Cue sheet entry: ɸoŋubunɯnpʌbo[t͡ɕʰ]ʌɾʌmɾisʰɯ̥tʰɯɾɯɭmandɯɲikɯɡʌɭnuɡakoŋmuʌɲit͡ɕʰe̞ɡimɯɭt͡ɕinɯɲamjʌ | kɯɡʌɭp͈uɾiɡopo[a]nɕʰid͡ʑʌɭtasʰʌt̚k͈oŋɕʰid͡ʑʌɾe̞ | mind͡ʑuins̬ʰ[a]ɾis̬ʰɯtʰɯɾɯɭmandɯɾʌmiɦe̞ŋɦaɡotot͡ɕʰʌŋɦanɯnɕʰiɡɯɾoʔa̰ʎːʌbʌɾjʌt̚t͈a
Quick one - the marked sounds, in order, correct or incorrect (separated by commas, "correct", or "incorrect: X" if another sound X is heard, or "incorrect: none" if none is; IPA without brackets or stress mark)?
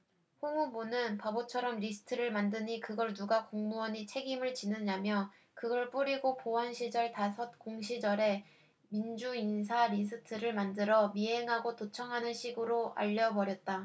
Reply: correct, incorrect: ʌ, correct